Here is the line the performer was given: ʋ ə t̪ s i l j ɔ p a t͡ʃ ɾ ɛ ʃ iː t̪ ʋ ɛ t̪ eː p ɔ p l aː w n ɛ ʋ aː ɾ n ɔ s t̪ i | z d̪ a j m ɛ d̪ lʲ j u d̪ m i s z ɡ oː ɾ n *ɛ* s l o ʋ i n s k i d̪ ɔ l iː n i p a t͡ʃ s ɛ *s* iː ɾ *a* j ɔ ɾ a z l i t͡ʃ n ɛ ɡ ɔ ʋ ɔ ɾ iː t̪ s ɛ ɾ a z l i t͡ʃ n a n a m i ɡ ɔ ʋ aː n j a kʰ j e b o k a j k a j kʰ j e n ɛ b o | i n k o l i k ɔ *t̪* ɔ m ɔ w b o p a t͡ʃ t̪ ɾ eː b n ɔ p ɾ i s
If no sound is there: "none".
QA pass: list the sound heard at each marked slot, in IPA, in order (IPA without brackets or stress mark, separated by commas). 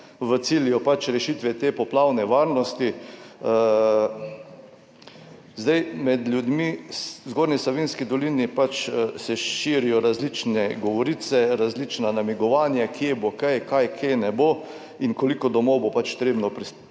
i, ʃ, i, d̪